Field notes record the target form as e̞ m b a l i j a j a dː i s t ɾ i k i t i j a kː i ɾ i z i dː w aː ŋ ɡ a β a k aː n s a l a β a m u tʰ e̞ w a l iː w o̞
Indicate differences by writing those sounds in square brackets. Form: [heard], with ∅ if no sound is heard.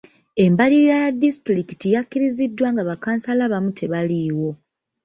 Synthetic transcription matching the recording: e̞ m b a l i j a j a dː i s t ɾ i k i t i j a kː i ɾ i z i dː w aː ŋ ɡ a β a k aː n s a l a β a m u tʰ e̞ [β] a l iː w o̞